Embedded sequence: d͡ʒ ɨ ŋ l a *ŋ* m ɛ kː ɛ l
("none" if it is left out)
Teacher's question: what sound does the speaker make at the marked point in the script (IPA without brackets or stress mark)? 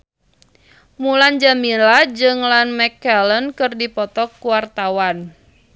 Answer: n